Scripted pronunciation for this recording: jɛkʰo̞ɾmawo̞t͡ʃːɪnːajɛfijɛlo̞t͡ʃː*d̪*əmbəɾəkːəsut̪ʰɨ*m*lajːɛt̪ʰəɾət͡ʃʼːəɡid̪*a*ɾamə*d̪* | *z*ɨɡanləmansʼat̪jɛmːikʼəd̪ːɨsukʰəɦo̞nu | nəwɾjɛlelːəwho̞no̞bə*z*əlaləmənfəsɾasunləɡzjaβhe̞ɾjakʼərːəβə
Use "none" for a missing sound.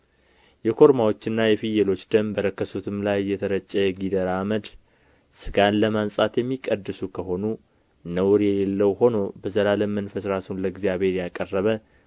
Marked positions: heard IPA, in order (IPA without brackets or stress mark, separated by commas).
d̪, m, ə, d̪, s, z